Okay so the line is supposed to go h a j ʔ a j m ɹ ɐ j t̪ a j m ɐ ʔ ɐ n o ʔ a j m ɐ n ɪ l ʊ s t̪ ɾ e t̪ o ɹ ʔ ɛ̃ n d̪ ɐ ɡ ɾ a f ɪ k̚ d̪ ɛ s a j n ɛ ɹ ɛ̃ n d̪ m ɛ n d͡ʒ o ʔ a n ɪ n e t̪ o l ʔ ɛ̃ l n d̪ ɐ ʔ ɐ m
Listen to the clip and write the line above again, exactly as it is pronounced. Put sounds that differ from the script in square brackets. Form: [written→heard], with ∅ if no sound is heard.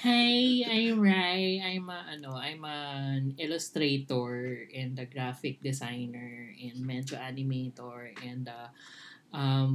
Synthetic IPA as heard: h a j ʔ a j m ɹ [ɐ→a] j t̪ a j m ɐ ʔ ɐ n o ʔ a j m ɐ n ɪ l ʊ s t̪ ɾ e t̪ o ɹ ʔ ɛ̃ n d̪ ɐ ɡ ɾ a f ɪ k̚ d̪ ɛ s a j n ɛ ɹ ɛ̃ n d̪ m ɛ n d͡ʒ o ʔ a n ɪ [n→m] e t̪ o [l→ɹ] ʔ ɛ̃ [l→∅] n d̪ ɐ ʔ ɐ m